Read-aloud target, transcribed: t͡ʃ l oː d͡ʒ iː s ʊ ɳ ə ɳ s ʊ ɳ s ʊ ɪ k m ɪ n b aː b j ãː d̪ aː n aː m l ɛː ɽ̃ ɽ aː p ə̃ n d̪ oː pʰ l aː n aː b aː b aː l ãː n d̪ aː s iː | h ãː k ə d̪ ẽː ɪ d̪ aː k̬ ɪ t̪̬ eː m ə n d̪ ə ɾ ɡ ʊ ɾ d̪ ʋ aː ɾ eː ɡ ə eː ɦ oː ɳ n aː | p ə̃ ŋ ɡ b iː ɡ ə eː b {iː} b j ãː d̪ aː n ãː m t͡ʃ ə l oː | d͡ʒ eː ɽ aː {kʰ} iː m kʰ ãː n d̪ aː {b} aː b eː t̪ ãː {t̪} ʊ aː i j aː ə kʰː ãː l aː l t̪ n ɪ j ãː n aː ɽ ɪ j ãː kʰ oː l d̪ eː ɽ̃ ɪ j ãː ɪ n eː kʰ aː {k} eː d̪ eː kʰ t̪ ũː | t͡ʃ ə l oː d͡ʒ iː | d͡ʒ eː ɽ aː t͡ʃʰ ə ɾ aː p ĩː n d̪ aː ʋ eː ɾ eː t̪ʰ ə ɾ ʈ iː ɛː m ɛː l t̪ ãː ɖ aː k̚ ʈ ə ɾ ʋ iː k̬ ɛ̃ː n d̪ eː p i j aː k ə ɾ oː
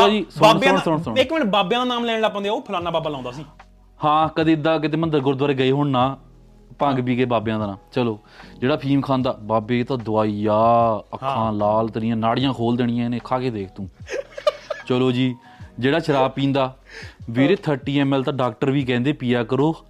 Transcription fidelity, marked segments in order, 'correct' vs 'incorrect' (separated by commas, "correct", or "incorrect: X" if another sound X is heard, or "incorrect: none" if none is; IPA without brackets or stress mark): incorrect: aː, incorrect: pʰ, correct, incorrect: d̪, correct